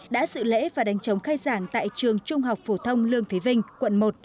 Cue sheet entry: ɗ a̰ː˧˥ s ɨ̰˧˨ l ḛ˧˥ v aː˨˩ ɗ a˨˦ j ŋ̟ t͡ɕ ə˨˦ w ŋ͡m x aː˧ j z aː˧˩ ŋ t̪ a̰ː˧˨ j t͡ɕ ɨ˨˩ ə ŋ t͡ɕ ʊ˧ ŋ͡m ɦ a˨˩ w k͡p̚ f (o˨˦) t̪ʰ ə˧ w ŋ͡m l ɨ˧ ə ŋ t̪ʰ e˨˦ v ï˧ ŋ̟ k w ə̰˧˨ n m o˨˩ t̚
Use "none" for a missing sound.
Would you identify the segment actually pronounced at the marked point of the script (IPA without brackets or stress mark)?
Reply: o˧˩